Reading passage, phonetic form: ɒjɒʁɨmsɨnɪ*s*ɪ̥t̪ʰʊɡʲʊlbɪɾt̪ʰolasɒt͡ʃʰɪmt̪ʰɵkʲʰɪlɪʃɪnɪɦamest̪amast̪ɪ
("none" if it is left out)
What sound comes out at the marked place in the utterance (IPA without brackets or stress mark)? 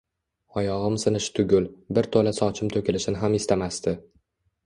ʃ